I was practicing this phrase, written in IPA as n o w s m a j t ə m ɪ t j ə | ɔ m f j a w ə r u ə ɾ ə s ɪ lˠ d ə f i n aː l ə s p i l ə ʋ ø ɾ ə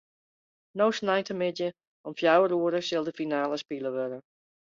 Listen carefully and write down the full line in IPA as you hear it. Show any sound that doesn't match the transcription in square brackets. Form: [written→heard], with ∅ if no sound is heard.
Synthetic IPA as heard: n o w s [m→n] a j t ə m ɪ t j ə | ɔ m f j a w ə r u ə ɾ ə s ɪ lˠ d ə f i n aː l ə s p i l ə ʋ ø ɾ ə